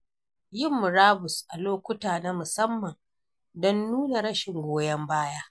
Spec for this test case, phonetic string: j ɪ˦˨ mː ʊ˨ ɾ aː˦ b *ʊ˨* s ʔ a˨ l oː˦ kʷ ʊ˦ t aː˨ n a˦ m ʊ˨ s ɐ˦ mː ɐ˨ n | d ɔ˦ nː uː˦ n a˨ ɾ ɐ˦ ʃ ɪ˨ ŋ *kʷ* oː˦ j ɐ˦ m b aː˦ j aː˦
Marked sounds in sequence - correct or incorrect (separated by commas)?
correct, incorrect